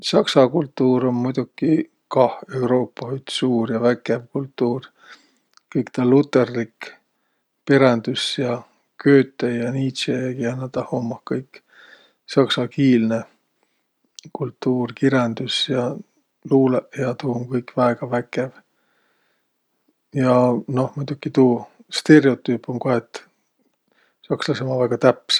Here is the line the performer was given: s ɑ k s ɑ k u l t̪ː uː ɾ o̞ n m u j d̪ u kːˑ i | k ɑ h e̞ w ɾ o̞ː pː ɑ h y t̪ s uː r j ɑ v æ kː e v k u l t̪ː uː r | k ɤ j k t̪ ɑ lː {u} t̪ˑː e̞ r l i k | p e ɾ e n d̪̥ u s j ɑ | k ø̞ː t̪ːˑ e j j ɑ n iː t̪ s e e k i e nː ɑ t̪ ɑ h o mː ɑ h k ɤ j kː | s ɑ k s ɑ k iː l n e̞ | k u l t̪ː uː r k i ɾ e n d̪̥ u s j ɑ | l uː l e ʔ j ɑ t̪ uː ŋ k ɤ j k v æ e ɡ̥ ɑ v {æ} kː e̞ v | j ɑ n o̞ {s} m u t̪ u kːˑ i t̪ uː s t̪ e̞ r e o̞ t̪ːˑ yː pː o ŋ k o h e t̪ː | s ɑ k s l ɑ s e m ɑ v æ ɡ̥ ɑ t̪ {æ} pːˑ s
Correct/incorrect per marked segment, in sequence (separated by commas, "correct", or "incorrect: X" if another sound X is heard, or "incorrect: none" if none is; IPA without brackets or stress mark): correct, correct, incorrect: h, correct